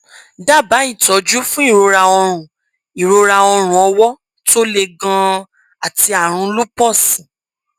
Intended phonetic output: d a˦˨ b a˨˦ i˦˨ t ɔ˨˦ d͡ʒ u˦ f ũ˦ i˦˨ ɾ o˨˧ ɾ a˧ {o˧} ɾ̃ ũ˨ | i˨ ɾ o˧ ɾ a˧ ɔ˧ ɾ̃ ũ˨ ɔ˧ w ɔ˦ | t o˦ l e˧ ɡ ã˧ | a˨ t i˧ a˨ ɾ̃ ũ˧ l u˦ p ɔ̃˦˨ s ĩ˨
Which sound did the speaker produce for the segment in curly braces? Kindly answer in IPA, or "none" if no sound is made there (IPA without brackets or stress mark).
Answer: ɔ˧